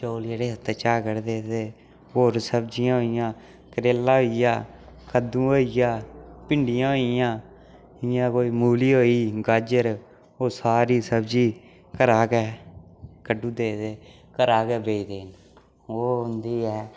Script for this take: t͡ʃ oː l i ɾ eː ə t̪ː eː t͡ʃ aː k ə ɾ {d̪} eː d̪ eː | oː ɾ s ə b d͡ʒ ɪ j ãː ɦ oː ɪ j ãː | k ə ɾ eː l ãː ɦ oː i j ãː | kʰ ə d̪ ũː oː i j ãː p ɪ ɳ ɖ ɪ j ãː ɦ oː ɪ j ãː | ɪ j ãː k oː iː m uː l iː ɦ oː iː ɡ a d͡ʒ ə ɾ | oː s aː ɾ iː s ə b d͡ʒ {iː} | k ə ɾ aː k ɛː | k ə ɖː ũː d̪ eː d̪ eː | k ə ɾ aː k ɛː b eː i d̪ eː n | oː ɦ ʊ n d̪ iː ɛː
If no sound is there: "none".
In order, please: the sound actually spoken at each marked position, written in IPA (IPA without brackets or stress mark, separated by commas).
d̪, iː